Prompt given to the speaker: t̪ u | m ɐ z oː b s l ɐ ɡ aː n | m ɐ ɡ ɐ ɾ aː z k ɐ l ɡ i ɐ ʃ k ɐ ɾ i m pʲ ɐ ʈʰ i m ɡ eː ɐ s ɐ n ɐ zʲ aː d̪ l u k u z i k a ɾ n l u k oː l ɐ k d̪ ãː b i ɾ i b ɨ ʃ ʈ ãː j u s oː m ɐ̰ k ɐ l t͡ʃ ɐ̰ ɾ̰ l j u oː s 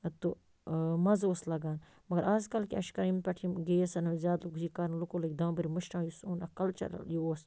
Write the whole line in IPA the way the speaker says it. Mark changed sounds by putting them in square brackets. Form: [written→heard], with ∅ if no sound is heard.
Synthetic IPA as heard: t̪ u | m ɐ z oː [b→∅] s l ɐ ɡ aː n | m ɐ ɡ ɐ ɾ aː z k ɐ l [ɡ→k] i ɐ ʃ k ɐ ɾ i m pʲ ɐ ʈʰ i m ɡ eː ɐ s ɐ n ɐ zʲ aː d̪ l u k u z i k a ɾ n l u k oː l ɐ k d̪ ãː b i ɾ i [b→m] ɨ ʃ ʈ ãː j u s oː [m→n] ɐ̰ k ɐ l t͡ʃ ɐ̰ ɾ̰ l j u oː s